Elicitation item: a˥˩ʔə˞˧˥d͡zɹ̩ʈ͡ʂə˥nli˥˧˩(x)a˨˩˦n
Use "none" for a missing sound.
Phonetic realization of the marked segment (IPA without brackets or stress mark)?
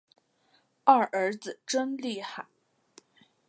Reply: x